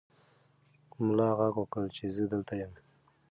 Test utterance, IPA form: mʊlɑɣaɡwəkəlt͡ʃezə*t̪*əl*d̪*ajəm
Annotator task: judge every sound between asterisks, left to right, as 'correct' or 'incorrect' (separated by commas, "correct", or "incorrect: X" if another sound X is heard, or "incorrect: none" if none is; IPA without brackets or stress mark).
incorrect: d̪, incorrect: t̪